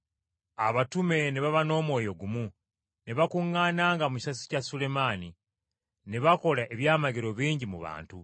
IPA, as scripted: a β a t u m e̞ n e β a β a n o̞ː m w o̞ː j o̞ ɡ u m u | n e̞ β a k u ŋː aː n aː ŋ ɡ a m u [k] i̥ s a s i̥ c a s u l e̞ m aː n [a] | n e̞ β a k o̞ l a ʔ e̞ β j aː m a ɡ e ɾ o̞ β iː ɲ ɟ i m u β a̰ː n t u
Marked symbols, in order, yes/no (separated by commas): no, no